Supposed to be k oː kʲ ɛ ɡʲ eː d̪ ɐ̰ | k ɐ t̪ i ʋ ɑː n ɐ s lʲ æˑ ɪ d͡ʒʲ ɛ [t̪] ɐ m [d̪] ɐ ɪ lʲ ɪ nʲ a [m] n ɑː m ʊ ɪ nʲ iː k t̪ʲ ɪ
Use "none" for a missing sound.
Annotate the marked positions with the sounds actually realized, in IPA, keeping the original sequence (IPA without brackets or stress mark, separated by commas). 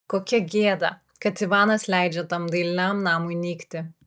t̪, d̪, m